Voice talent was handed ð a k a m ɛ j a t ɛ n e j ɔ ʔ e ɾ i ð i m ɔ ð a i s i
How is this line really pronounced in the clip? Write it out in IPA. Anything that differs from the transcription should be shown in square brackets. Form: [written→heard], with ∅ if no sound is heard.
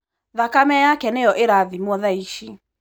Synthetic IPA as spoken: ð a k a m ɛ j a [t→k] ɛ n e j ɔ ʔ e ɾ [i→a] ð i m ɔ ð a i [s→ʃ] i